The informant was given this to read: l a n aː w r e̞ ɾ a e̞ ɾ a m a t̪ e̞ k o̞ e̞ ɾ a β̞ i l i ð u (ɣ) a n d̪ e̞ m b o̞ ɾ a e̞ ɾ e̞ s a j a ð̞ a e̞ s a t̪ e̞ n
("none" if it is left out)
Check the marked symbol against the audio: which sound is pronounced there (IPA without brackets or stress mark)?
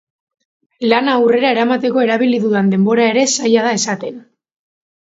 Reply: ð